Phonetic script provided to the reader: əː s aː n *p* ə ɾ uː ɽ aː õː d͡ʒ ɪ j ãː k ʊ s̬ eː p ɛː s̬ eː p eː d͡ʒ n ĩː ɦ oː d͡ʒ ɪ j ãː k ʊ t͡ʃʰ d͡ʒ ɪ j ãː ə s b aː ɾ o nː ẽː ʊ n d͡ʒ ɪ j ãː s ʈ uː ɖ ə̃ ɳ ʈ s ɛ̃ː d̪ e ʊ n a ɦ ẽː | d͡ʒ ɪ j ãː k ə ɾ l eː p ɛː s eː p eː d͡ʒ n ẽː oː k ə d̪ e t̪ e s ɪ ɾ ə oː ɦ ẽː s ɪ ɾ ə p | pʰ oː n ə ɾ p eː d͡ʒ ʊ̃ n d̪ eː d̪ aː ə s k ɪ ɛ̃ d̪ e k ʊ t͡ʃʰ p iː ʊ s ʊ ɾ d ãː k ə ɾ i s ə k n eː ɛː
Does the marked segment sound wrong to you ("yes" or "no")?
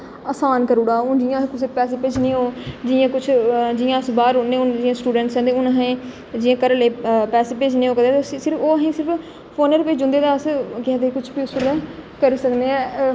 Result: yes